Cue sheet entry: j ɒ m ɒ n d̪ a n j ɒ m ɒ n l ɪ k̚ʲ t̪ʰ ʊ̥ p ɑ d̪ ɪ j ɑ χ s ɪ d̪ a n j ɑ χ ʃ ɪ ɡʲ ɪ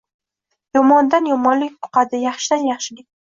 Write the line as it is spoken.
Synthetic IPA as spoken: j ɒ m ɒ n d̪ a n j ɒ m ɒ n l ɪ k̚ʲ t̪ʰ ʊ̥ q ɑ d̪ ɪ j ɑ χ ʃ ɪ d̪ a n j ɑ χ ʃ ɪ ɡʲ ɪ

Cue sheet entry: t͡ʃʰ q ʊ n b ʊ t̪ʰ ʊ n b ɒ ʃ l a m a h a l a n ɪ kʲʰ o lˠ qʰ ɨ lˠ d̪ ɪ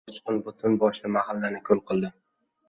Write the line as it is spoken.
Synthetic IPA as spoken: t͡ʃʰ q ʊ n b ʊ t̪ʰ ʊ n b ɒ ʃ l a m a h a lː a n ɪ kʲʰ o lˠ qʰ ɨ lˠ d̪ ɪ

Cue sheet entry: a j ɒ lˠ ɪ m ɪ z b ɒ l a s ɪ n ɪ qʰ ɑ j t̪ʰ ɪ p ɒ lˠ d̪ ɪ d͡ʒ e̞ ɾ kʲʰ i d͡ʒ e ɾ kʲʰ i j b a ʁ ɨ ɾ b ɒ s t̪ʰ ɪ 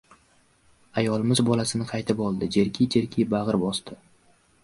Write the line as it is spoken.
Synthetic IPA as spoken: a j ɒ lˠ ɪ m ɪ z b ɒ l a s ɪ n ɪ qʰ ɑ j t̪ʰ ɪ p ɒ lˠ d̪ ɪ d͡ʒ e̞ ɾ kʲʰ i d͡ʒ e ɾ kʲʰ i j b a ʁ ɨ ɾ b ɒ s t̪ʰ ɪ

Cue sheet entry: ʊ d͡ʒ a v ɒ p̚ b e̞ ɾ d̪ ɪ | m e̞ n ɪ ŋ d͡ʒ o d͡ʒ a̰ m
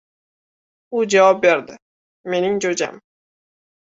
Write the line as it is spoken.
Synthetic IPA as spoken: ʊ d͡ʒ a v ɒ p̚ b e̞ ɾ d̪ ɪ | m e̞ n ɪ ŋ d͡ʒ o d͡ʒ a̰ m

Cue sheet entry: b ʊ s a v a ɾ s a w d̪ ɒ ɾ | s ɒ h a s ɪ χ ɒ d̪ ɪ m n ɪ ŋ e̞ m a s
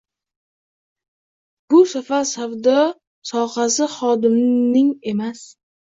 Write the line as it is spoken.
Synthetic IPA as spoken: b ʊ s a f a ɾ s a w d̪ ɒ | s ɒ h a s ɪ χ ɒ d̪ ɪ m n ɪ ŋ e̞ m a s

